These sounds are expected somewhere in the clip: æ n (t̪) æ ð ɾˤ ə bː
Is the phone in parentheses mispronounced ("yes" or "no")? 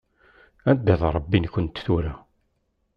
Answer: yes